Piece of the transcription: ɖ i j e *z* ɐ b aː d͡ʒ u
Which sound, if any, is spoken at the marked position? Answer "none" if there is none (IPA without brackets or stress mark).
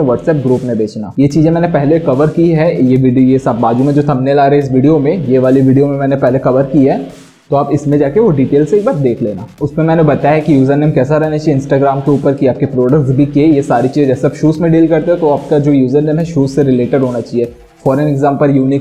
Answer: s